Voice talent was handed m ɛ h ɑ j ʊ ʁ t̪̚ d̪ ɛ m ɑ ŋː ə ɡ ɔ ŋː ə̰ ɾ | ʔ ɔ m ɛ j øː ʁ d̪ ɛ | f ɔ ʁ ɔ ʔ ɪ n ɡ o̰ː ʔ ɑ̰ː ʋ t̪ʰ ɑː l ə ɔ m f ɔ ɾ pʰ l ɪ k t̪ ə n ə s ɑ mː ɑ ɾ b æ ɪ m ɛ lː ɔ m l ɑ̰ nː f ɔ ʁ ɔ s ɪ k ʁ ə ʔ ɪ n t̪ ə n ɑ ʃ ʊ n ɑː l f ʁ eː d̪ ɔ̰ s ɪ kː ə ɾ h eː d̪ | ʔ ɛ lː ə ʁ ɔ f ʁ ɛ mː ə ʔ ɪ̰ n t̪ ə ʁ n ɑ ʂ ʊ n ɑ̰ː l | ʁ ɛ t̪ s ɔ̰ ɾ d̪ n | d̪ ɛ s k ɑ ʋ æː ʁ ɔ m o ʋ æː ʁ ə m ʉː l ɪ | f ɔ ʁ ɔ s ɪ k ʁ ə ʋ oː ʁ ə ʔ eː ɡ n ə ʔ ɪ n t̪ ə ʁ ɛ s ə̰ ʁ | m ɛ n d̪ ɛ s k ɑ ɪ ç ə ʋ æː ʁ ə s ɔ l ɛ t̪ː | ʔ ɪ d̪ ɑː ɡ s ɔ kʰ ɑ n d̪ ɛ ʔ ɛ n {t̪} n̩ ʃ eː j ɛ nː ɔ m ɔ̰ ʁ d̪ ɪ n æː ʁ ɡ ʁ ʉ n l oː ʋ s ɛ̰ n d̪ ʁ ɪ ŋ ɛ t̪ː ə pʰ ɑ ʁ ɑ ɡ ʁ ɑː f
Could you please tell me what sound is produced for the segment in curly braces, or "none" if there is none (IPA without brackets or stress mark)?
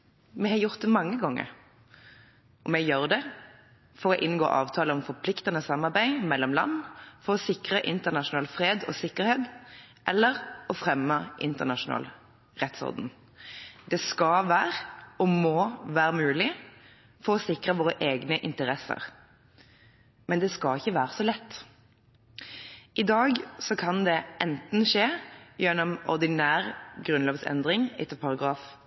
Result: t̪